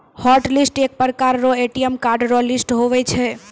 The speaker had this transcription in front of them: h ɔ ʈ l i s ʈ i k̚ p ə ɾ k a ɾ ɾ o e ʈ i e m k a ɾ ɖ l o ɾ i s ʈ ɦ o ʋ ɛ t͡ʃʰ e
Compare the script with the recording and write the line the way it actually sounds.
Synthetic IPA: h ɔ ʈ l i s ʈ e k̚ p ə ɾ k a ɾ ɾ o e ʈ i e m k a ɾ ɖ ɾ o l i s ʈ ɦ o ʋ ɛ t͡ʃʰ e